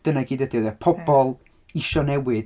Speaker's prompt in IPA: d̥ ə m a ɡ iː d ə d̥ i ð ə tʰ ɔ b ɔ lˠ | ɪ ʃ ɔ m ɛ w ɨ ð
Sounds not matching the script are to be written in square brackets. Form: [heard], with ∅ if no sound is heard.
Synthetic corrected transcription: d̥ ə [n] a ɡ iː d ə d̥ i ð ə [pʰ] ɔ b ɔ lˠ | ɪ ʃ ɔ [n] ɛ w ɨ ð